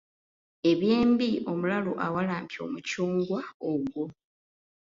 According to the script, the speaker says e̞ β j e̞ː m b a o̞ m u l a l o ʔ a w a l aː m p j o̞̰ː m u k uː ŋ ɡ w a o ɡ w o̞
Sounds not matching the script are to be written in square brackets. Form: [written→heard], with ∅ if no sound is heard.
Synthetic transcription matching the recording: e̞ β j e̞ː m b [a→i] o̞ m u l a l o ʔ a w a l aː m p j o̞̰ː m u [k→c] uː ŋ ɡ w a o ɡ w o̞